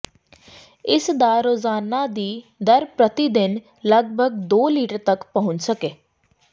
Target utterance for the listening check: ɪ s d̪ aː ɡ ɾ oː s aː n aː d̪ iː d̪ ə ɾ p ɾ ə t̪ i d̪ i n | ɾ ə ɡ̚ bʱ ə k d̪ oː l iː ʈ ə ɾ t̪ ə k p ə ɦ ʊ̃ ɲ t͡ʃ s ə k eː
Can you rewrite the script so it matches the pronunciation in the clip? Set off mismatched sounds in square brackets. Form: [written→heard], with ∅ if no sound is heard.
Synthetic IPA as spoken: ɪ s d̪ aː [ɡ→∅] ɾ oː [s→z] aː n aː d̪ iː d̪ ə ɾ p ɾ ə t̪ i d̪ [i→ɪ] n | [ɾ→l] ə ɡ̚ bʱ ə [k→ɡ] d̪ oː l iː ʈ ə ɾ t̪ ə k p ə ɦ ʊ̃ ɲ t͡ʃ s ə k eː